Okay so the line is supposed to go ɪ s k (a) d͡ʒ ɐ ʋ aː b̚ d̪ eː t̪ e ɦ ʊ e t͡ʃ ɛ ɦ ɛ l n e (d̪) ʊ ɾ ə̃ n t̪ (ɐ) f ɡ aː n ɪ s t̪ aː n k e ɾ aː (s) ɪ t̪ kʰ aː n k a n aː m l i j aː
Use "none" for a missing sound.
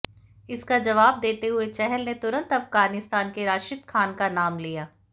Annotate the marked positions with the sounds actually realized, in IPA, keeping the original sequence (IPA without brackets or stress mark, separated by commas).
a, t̪, ɐ, ʃ